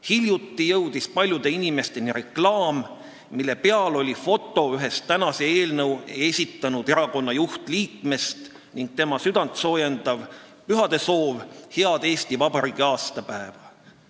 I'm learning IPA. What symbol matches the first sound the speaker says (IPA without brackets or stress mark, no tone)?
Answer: h